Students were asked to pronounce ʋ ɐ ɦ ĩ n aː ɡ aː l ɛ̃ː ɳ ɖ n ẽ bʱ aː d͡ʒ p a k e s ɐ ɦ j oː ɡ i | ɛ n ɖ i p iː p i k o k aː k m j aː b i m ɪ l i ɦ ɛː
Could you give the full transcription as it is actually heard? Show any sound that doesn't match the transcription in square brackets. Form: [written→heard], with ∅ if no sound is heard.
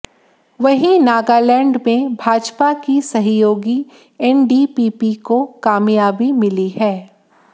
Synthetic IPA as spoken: ʋ ɐ ɦ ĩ n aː ɡ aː l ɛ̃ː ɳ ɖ [n→m] ẽ bʱ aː d͡ʒ p a k [e→i] s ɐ ɦ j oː ɡ i | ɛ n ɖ i p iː p i k o k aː [k→∅] m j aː b i m ɪ l i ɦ ɛː